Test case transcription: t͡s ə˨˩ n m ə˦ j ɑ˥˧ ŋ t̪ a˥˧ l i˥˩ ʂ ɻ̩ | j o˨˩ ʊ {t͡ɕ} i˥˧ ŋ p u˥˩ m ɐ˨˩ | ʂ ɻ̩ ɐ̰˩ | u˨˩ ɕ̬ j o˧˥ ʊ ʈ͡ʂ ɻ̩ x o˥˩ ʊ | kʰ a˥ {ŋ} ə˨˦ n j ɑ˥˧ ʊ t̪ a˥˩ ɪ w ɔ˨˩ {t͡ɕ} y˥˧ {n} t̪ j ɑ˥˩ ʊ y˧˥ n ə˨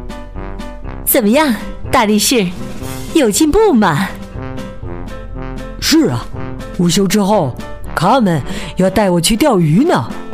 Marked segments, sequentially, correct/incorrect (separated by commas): correct, incorrect, incorrect, incorrect